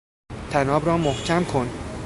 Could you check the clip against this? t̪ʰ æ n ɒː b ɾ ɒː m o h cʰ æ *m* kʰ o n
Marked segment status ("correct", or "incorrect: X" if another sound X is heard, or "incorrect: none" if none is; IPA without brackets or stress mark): correct